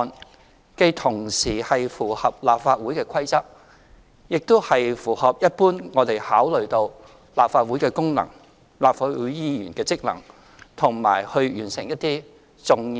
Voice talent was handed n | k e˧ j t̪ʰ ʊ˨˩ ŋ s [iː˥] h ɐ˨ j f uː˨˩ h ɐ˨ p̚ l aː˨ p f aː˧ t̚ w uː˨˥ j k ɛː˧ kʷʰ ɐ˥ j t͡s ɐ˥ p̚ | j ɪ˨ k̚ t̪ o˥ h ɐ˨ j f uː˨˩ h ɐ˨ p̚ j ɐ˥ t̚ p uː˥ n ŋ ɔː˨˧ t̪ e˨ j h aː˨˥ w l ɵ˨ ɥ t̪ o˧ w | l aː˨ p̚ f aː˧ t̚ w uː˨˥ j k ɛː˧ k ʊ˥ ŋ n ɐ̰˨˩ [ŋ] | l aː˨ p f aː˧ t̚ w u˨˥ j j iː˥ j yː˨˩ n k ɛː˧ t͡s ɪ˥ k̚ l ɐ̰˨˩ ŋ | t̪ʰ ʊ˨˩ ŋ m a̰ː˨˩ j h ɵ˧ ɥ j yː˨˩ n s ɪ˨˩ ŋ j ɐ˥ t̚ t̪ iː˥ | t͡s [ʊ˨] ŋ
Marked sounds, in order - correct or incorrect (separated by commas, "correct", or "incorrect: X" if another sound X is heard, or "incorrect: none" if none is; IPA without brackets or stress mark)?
incorrect: iː˨˩, correct, correct